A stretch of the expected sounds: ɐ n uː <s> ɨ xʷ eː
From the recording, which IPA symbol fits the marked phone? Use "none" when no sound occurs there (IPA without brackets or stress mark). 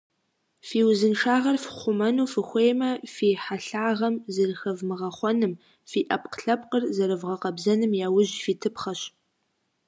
f